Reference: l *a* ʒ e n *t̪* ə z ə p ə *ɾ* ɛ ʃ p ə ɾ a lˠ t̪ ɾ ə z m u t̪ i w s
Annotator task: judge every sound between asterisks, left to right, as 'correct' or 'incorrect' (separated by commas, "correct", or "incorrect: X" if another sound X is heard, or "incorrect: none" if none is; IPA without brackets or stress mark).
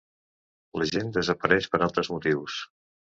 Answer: incorrect: ə, incorrect: d̪, correct